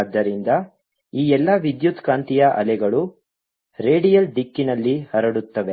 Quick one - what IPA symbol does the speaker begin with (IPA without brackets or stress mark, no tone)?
d̪ː